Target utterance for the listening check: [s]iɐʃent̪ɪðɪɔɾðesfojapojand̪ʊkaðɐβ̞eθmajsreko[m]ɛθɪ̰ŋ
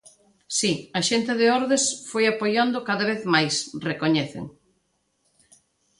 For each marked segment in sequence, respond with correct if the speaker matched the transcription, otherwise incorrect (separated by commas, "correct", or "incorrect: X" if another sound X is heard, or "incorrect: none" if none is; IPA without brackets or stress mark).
correct, incorrect: ɲ